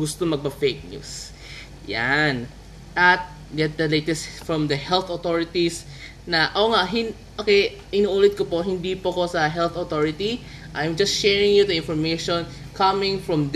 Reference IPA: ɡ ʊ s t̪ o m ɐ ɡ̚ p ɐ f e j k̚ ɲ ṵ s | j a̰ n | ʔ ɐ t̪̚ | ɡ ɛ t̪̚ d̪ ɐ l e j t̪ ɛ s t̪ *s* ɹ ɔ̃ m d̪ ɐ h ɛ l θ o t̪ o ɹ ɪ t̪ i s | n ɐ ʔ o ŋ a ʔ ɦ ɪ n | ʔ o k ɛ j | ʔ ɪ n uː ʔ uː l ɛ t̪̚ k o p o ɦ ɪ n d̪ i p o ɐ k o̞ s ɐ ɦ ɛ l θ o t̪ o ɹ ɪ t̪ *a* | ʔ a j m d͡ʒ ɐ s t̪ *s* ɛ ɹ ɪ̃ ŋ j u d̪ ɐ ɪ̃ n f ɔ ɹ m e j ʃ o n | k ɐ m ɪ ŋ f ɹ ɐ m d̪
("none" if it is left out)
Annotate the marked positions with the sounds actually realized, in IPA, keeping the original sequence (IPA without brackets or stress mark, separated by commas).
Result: f, i, ʃ